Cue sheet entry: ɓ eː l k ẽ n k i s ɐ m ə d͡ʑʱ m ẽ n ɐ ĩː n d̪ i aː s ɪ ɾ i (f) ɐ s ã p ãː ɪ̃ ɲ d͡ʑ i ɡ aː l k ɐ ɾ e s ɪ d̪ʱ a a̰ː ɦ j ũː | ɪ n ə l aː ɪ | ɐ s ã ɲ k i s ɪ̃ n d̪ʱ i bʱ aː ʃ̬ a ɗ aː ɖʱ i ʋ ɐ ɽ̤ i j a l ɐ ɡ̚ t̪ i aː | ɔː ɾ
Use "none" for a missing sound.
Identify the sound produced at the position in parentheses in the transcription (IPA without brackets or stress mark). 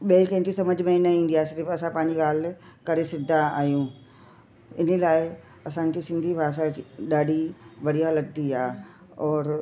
f